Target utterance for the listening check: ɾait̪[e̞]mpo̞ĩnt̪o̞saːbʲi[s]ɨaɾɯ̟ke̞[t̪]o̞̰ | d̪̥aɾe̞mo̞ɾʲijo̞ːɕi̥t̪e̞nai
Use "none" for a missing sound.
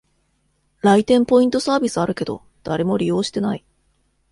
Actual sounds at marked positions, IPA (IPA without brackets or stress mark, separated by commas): ẽ̞, s, d̪